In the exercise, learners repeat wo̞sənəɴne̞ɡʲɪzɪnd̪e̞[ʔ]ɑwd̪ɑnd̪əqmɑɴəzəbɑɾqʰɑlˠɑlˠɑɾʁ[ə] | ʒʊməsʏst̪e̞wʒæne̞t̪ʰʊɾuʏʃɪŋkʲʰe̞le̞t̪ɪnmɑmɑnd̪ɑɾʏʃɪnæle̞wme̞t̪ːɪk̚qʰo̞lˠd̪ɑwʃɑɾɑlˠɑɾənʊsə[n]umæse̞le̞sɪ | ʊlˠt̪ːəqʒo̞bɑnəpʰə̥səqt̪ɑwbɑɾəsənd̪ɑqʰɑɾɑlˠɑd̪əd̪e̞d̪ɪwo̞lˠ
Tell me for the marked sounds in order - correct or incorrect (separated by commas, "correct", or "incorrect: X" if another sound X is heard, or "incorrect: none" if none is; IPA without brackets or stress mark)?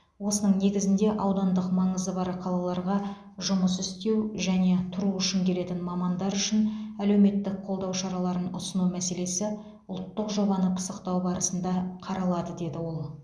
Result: correct, incorrect: ɑ, correct